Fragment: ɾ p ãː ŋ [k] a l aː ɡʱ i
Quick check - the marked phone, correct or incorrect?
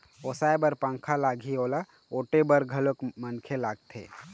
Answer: incorrect